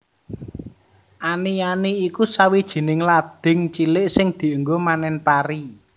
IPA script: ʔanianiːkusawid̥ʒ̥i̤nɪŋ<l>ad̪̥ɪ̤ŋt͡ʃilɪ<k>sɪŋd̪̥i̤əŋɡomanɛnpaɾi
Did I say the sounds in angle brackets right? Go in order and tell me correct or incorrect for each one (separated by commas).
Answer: correct, incorrect